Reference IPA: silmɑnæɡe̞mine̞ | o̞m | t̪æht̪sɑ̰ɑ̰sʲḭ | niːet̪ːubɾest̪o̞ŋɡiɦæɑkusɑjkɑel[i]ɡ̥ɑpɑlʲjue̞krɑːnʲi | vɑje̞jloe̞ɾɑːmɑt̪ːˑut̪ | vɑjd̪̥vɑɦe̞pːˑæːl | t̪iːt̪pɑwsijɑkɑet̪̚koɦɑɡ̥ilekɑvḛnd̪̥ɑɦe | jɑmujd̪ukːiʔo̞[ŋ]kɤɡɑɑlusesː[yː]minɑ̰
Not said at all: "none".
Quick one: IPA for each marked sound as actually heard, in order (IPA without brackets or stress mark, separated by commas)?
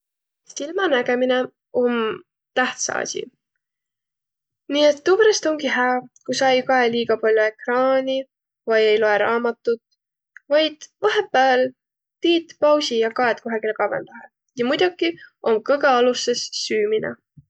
iː, m, yː